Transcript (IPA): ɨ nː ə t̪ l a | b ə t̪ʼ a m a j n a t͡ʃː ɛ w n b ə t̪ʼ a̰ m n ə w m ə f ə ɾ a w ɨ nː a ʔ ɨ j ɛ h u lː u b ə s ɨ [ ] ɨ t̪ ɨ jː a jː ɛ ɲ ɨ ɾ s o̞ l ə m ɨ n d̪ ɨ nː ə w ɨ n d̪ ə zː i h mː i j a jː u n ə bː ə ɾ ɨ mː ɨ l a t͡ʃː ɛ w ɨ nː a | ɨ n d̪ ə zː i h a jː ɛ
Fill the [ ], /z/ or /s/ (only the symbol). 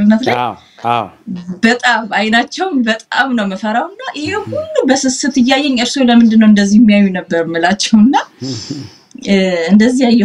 s